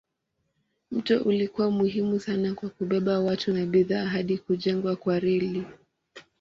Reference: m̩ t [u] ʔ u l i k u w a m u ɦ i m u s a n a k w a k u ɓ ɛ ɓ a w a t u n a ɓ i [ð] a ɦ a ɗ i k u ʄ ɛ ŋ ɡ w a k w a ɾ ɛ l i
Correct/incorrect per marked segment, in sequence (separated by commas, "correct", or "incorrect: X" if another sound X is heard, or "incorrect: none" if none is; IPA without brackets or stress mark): incorrect: ɔ, correct